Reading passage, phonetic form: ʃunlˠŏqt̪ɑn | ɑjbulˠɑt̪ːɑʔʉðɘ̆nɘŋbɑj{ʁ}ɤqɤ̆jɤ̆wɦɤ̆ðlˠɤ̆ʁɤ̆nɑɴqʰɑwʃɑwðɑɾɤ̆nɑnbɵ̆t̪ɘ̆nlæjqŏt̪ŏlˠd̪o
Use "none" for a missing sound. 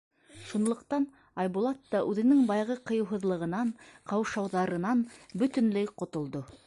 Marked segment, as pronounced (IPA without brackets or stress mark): ʁ